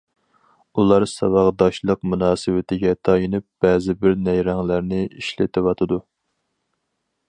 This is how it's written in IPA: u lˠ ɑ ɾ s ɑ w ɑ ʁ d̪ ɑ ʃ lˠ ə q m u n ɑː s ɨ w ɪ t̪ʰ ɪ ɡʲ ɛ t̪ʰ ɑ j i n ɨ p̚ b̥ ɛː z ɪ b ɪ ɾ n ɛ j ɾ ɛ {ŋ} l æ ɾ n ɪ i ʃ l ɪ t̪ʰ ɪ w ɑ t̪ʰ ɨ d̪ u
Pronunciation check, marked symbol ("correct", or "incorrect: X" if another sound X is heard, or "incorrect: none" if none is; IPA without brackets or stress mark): correct